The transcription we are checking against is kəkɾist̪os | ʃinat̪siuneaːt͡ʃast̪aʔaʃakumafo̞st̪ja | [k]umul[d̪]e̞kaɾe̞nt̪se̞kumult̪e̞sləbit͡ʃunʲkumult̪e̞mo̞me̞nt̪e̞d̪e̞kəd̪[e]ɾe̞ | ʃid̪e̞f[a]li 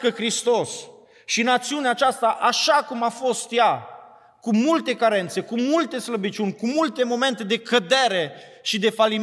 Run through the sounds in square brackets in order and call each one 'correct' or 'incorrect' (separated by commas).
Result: correct, incorrect, correct, correct